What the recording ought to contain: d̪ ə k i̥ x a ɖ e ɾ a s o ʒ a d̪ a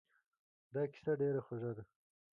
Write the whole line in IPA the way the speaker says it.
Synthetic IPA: d̪ ɑ k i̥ s a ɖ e ɾ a x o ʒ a d̪ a